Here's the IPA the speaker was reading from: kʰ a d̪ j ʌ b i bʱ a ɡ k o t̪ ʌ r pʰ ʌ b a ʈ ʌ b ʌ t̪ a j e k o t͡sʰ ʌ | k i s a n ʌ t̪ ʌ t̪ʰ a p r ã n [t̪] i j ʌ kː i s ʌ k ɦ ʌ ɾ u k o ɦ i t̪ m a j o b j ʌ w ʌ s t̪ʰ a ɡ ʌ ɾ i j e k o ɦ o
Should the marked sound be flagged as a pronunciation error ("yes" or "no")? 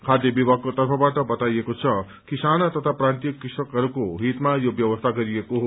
no